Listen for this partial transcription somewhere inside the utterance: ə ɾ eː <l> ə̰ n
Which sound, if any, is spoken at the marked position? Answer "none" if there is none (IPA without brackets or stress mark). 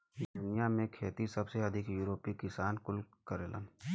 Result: l